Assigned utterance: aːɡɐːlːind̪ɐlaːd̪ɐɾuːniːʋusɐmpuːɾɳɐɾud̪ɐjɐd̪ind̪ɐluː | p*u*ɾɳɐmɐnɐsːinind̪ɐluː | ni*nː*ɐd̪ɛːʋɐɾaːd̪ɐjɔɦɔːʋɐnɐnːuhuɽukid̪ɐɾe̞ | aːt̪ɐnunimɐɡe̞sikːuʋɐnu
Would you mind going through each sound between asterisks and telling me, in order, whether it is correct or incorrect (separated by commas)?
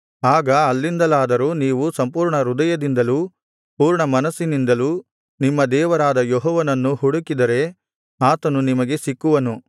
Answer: incorrect, incorrect